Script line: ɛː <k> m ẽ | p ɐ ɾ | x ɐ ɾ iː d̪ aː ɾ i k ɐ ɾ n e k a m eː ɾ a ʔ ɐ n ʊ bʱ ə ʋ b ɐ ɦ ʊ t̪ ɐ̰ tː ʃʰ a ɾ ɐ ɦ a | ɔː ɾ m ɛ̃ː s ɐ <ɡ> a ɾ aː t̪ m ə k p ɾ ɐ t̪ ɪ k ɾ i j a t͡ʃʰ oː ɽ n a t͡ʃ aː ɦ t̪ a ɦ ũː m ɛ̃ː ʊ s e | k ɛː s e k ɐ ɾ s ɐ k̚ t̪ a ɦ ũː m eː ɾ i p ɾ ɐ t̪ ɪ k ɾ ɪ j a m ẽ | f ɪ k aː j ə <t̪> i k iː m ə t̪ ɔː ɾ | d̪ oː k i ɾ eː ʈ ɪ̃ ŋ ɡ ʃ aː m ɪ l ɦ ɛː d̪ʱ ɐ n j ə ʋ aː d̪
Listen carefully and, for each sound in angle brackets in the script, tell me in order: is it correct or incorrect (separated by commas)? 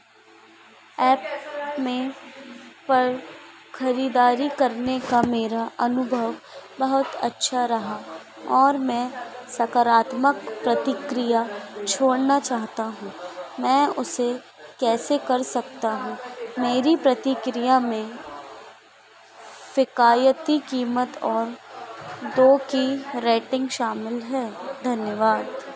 incorrect, incorrect, correct